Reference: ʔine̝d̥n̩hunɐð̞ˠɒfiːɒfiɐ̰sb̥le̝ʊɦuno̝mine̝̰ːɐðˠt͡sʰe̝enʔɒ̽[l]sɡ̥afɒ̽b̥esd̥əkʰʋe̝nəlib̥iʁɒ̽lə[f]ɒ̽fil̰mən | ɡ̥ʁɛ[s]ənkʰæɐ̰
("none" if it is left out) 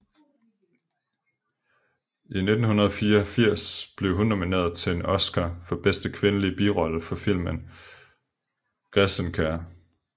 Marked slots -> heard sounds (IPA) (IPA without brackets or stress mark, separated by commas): none, f, s